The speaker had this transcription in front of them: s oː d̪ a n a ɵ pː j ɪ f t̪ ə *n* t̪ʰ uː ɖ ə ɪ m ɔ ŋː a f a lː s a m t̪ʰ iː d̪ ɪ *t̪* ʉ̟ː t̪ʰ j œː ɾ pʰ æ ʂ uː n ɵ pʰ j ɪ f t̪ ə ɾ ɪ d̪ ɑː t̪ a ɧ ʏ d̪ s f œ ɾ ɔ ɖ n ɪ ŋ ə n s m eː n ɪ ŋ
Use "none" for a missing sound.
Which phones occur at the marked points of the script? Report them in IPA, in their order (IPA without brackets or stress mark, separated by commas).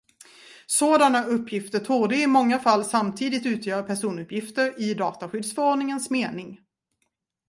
none, t̪